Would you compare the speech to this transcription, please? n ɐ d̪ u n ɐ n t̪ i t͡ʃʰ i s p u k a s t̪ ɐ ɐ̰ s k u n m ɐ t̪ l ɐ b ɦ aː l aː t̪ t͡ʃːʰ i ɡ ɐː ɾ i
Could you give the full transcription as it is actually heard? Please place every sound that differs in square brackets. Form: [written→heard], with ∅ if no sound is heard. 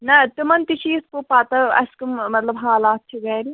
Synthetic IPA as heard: n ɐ [d̪→t̪] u [n→m] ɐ n t̪ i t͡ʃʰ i s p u [k→p] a [s→∅] t̪ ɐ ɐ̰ s k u [n→m] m ɐ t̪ l ɐ b ɦ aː l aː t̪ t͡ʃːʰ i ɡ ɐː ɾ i